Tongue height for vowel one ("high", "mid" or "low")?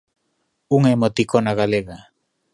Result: high